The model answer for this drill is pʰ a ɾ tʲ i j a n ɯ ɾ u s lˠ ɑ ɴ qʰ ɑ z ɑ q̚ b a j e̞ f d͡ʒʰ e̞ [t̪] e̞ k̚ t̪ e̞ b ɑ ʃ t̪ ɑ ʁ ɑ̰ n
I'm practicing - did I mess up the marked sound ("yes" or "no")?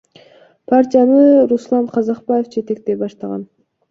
no